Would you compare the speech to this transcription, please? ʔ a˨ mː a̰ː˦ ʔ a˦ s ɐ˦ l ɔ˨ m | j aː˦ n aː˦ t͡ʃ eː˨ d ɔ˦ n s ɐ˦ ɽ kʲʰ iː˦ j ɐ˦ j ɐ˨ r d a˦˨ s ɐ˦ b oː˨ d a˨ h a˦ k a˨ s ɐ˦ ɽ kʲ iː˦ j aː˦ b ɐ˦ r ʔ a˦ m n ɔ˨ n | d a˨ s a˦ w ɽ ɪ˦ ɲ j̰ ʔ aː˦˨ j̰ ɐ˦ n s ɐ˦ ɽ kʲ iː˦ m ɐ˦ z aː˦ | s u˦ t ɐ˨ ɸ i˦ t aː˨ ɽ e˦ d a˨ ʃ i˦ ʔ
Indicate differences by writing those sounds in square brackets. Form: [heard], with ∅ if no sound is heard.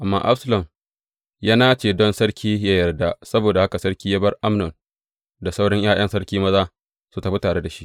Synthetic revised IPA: ʔ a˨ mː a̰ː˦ ʔ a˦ s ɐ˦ l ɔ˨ m | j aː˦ n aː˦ t͡ʃ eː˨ d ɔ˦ n s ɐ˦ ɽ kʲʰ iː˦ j [a˦] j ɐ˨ r d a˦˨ s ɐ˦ b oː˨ d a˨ h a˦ k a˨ s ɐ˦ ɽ kʲ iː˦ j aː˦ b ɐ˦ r ʔ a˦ m n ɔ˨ n | d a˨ s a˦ w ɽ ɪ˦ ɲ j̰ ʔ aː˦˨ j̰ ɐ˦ n s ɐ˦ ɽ kʲ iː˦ m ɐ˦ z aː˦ | s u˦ t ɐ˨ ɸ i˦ t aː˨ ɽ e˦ d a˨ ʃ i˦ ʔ